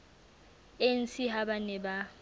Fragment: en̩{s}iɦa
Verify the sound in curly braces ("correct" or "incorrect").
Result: correct